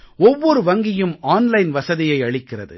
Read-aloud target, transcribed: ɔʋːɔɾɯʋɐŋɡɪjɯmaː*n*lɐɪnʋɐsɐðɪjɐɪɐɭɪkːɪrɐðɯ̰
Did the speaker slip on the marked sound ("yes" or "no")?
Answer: no